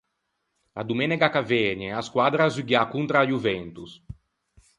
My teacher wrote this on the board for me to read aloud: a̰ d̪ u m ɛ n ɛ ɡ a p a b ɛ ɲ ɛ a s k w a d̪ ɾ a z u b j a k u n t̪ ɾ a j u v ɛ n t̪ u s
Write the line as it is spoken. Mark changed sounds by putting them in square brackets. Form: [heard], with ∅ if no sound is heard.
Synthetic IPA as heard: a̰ d̪ u m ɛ n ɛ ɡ a [k] a [v] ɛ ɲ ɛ a s k w a d̪ ɾ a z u [ɡ] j a k u n t̪ ɾ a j u v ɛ n t̪ u s